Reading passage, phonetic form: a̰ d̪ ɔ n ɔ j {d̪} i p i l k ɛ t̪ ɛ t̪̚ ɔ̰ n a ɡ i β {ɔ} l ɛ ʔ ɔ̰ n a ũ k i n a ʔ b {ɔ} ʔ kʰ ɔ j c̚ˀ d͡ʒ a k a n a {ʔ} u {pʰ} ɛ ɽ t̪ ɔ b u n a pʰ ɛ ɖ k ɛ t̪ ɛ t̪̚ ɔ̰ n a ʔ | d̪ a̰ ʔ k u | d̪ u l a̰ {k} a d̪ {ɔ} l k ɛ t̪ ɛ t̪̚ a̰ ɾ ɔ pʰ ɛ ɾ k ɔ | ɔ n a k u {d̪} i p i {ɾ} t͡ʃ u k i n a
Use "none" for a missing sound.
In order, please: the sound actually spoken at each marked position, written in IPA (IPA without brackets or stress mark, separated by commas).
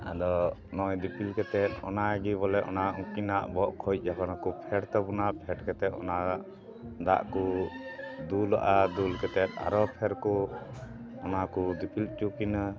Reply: d̪, ɔ, ɔ, k, pʰ, ʔ, u, d̪, l